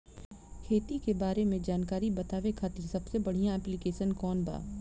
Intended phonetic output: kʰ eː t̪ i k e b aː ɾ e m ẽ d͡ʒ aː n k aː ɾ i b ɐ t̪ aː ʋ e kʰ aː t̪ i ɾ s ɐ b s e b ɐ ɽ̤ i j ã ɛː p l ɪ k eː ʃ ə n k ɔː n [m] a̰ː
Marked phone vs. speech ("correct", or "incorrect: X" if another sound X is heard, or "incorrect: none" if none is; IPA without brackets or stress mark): incorrect: b